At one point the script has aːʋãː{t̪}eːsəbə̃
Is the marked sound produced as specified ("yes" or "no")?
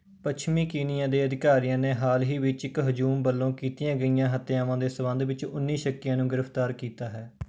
no